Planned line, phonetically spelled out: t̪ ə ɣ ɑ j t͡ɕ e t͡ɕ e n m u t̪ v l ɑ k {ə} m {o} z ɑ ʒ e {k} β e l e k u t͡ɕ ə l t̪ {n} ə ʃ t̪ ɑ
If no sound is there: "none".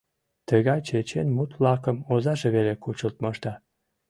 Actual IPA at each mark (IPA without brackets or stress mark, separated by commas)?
ə, o, none, m